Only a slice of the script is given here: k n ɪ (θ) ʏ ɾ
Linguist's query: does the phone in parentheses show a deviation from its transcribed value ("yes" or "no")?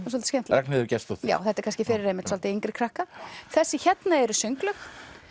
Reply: yes